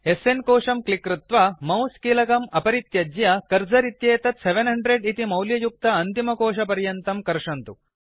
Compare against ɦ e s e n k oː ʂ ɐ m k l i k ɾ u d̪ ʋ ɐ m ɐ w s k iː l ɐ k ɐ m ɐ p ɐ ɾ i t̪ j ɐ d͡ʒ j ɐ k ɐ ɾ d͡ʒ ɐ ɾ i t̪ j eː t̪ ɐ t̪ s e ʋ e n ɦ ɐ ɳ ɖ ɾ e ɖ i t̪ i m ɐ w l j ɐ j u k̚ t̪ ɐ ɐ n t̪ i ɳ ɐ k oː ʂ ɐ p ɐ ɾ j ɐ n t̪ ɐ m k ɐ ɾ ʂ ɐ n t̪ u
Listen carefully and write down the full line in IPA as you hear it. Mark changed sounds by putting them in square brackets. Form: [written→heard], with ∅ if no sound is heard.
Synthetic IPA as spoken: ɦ e s e n k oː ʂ ɐ m k l i k ɾ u [d̪→t̪] ʋ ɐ m ɐ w s k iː l ɐ k ɐ m ɐ p ɐ ɾ i t̪ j ɐ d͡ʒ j ɐ k ɐ ɾ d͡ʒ ɐ ɾ i t̪ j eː t̪ ɐ t̪ s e ʋ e n ɦ ɐ ɳ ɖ ɾ e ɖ i t̪ i m ɐ w l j ɐ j u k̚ t̪ ɐ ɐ n t̪ i [ɳ→m] ɐ k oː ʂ ɐ p ɐ ɾ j ɐ n t̪ ɐ m k ɐ ɾ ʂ ɐ n t̪ u